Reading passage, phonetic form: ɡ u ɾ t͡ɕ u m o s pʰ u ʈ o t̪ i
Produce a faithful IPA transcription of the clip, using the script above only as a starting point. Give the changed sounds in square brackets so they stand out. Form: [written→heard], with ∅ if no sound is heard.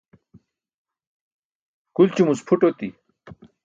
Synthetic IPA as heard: [ɡ→k] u [ɾ→l] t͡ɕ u m [o→u] s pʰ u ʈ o t̪ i